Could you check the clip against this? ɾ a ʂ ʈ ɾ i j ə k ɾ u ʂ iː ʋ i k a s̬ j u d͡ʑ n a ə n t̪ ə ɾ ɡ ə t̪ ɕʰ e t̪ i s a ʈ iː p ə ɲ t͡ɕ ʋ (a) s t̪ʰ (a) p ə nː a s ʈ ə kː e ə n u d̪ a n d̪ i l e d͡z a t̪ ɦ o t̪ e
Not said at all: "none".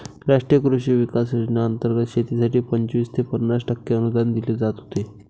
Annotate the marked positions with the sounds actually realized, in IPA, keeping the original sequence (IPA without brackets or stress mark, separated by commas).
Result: i, e